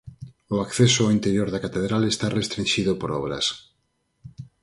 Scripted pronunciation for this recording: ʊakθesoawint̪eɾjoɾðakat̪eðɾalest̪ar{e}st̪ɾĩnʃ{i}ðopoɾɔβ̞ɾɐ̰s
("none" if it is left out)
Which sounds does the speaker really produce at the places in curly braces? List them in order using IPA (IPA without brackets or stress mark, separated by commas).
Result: e, i